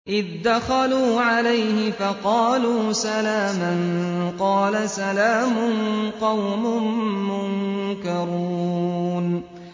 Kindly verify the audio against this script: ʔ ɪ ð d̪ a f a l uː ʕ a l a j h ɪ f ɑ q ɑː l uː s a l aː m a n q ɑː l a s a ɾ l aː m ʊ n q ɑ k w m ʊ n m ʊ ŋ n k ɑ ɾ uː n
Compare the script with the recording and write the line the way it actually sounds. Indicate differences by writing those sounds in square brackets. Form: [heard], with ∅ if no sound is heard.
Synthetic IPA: ʔ ɪ ð d̪ a [x] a l uː ʕ a l a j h ɪ f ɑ q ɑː l uː s a l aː m a n q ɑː l a s a [∅] l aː m ʊ n q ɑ [∅] w m ʊ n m ʊ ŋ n k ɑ ɾ uː n